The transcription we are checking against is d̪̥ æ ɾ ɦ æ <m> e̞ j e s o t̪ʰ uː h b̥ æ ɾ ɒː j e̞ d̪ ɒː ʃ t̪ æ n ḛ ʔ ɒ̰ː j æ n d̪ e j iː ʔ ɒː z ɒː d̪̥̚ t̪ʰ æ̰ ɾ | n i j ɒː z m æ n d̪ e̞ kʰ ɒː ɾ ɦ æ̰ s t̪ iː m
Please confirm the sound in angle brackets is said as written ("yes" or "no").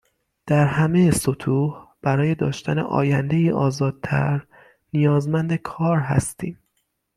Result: yes